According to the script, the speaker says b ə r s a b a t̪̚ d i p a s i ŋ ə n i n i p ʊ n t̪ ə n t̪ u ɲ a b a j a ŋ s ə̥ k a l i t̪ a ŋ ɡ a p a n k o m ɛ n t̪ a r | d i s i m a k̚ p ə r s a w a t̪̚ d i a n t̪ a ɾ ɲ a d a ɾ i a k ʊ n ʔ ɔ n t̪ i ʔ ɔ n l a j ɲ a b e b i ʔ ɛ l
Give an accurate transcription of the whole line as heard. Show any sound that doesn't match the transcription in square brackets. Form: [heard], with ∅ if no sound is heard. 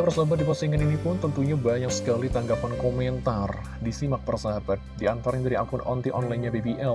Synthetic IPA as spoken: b ə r s a b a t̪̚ d i p a s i ŋ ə n i n i p ʊ n t̪ ə n t̪ u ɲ a b a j a ŋ s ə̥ k a l i t̪ a ŋ ɡ a p a n k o m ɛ n t̪ a r | d i s i m a k̚ p ə r s a [b] a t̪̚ d i a n t̪ a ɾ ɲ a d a ɾ i a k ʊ n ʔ ɔ n t̪ i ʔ ɔ n l a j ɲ a b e b i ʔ ɛ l